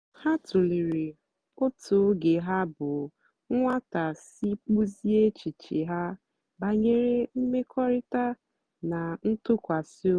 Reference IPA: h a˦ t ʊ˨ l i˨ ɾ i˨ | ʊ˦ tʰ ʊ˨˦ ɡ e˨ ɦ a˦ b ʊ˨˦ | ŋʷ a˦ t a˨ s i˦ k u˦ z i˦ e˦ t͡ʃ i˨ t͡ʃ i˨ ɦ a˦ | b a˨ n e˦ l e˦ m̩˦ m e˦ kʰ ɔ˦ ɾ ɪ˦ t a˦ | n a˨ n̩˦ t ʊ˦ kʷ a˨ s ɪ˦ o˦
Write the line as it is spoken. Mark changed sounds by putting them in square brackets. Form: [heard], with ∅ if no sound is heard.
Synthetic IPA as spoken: h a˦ t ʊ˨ l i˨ ɾ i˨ | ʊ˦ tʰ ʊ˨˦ ɡ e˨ ɦ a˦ b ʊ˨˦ | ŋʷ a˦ t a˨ s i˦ [k͡p] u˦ z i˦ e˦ t͡ʃ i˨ t͡ʃ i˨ ɦ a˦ | b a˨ [ɲ] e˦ [ɾ] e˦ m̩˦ m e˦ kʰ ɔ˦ ɾ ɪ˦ t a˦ | n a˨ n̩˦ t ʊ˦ kʷ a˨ s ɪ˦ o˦